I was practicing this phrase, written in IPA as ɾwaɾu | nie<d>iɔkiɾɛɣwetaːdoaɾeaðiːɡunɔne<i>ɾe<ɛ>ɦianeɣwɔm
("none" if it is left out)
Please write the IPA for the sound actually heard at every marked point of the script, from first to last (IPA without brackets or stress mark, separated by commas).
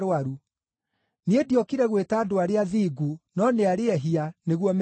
d, a, ɛ